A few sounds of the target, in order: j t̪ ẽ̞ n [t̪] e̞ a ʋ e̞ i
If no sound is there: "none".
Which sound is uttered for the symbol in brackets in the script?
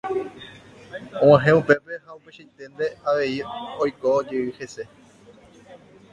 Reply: d̪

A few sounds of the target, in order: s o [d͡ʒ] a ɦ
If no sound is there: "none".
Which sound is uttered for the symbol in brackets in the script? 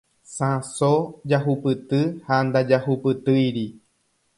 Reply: d͡ʒ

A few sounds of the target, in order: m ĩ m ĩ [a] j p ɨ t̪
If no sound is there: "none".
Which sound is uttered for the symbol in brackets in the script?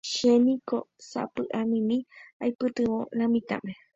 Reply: a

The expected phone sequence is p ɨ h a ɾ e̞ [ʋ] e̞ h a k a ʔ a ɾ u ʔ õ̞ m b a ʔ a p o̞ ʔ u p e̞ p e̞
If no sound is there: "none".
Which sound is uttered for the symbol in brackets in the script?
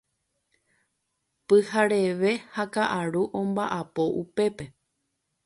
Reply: ʋ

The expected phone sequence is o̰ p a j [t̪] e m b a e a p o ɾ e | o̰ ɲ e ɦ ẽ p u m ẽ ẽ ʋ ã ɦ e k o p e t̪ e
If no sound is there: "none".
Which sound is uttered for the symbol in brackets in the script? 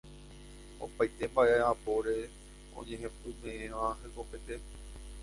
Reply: t̪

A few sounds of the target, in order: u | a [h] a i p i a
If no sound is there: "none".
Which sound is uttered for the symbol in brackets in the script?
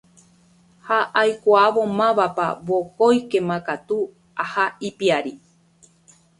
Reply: h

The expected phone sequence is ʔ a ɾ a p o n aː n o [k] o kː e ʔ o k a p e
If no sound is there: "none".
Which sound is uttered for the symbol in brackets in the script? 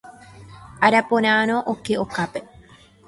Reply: ʔ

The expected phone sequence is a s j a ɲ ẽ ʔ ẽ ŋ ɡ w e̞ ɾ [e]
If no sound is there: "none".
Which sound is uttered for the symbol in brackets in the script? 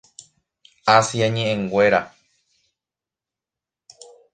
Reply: a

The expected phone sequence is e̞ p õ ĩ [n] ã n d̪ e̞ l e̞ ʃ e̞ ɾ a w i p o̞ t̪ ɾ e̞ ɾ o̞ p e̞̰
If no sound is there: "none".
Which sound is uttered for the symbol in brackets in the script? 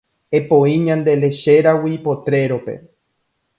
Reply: ɲ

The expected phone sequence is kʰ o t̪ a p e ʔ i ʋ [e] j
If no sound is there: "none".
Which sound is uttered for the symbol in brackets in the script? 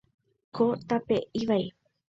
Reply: a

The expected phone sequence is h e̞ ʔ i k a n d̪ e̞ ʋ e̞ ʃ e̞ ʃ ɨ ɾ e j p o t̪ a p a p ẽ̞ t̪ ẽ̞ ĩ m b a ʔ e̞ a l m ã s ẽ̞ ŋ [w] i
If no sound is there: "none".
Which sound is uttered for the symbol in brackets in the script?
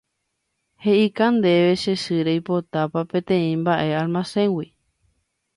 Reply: w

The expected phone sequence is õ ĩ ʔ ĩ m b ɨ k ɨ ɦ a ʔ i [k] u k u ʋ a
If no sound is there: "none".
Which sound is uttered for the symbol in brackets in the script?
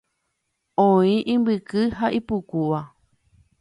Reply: p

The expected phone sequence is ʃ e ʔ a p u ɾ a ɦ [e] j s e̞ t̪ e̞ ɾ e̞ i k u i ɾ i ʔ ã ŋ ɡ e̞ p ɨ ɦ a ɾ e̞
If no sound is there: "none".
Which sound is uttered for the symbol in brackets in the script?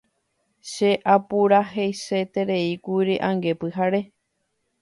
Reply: e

